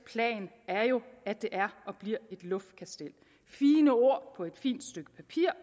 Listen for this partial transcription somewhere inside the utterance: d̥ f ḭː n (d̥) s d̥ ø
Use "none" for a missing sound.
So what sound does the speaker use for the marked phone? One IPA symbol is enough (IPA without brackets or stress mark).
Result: d̥